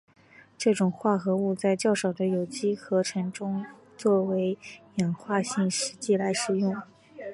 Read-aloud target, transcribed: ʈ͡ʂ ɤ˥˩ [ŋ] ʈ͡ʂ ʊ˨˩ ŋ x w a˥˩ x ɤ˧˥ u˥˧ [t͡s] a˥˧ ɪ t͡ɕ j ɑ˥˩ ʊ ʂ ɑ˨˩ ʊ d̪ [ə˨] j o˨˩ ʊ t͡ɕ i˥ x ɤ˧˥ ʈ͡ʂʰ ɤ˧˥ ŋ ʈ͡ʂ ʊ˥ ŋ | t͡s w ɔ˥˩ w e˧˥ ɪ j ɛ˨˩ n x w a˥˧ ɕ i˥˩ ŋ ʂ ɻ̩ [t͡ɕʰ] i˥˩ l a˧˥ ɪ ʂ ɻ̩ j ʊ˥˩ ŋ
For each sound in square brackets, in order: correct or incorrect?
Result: incorrect, correct, incorrect, incorrect

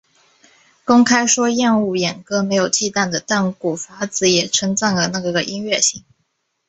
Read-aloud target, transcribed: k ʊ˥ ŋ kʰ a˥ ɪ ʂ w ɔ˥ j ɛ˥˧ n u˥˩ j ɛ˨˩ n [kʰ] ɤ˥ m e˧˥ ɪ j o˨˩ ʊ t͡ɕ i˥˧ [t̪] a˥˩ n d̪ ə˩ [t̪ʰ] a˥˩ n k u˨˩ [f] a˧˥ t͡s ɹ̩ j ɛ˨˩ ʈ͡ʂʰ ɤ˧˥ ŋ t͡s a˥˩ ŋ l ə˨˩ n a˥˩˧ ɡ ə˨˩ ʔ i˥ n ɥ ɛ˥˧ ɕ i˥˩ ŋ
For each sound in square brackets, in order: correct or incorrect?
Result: incorrect, correct, incorrect, correct

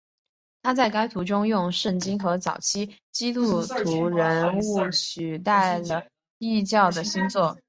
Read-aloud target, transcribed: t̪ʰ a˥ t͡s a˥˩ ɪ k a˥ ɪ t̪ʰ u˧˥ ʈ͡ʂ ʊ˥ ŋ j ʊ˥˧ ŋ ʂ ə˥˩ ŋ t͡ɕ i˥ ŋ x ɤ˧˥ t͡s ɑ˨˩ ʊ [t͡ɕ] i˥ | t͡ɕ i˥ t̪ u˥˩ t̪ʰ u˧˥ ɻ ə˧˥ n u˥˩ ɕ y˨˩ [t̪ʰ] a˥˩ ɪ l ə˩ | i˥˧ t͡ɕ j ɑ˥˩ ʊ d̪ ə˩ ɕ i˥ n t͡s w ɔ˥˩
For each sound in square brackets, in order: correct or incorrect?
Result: incorrect, incorrect

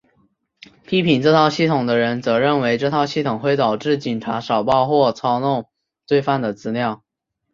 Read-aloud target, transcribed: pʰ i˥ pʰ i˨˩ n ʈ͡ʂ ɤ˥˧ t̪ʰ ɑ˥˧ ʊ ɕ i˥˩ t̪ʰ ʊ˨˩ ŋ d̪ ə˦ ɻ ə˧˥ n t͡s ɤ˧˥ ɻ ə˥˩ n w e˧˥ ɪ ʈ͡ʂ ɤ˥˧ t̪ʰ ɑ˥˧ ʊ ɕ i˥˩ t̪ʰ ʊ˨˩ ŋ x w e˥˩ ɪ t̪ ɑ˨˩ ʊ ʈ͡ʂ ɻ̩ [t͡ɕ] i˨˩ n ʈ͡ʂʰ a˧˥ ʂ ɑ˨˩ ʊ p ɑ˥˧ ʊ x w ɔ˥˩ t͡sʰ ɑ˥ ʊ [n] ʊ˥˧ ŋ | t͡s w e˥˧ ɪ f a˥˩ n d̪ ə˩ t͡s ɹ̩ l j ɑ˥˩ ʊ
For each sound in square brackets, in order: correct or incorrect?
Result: correct, correct

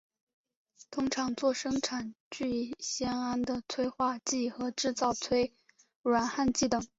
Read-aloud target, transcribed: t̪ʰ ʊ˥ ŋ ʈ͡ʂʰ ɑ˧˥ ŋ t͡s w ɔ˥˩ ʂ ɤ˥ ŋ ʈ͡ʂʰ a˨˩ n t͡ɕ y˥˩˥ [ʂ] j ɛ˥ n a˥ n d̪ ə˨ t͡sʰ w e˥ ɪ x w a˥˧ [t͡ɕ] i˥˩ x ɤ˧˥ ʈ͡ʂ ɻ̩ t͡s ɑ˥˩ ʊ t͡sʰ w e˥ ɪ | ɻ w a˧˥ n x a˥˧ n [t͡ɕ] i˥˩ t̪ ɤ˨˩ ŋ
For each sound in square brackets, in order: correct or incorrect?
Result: incorrect, correct, correct

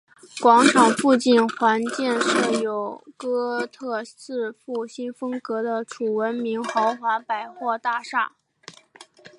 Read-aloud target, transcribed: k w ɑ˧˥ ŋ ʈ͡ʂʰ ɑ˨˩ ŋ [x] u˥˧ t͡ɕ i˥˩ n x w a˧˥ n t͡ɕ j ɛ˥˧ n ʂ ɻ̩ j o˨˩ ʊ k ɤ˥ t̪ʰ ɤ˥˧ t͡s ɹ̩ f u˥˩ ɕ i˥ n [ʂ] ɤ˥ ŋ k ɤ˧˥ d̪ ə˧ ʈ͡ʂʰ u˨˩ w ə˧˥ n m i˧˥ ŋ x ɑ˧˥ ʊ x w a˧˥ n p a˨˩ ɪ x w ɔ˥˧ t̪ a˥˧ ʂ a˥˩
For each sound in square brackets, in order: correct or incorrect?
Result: incorrect, incorrect

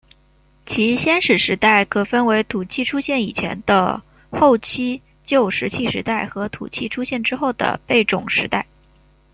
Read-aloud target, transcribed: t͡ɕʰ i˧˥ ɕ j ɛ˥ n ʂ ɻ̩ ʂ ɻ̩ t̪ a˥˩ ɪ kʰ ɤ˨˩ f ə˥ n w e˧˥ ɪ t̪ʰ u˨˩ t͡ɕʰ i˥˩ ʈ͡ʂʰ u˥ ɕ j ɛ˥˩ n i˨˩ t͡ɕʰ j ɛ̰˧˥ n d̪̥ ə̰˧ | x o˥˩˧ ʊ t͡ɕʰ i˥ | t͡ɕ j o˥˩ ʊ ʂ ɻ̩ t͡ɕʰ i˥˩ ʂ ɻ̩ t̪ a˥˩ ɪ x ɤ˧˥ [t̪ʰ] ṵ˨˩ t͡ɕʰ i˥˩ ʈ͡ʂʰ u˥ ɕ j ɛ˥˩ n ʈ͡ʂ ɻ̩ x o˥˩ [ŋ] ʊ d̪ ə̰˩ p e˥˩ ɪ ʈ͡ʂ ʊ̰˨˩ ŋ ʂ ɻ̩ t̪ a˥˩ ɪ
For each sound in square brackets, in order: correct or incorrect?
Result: correct, incorrect

